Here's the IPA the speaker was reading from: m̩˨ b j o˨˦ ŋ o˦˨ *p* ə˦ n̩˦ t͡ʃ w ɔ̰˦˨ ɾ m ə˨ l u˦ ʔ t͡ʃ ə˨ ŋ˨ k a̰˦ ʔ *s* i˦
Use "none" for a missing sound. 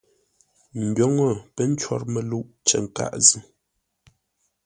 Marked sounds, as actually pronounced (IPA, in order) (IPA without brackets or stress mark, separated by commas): p, z